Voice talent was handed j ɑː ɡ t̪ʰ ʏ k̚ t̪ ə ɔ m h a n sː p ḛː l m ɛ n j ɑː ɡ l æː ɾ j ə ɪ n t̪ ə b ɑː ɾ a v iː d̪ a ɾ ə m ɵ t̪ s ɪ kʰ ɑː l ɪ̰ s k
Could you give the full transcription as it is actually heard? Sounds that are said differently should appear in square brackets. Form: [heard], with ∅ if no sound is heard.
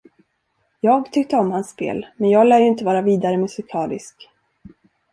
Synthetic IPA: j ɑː ɡ t̪ʰ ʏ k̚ t̪ ə ɔ m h a n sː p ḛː l m ɛ n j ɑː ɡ l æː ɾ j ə ɪ n t̪ ə [v] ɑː ɾ a v iː d̪ a ɾ ə m ɵ [∅] s ɪ kʰ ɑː l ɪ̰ s k